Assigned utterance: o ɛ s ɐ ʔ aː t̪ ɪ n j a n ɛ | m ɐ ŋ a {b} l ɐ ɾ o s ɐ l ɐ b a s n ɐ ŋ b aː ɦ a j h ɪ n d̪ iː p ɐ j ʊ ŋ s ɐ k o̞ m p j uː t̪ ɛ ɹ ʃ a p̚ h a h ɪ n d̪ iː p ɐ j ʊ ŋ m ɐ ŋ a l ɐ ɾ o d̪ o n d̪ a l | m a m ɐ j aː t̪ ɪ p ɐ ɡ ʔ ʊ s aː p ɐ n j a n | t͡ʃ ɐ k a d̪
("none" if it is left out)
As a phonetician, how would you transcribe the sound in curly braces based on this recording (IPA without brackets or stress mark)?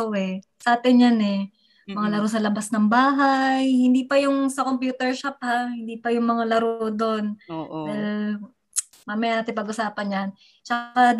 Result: none